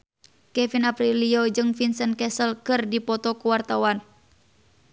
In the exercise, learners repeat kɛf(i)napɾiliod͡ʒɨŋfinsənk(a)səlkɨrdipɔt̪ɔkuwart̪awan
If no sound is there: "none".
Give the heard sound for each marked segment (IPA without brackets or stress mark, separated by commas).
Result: i, ɛ